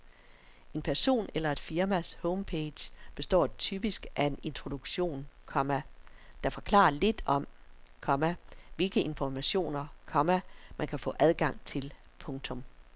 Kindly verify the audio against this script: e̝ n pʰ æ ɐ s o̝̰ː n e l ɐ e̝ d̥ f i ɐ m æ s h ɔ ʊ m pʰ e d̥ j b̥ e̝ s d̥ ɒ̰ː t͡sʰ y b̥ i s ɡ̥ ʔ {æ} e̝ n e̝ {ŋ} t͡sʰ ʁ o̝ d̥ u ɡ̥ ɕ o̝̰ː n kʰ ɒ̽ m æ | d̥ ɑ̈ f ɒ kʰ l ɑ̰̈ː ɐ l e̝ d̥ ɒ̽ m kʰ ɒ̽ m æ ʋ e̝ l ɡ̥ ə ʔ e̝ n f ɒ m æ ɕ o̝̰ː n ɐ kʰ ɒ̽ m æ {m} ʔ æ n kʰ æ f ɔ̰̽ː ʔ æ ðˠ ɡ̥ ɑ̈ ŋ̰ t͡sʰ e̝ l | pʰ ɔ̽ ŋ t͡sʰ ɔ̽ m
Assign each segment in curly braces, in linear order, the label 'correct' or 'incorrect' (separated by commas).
correct, incorrect, correct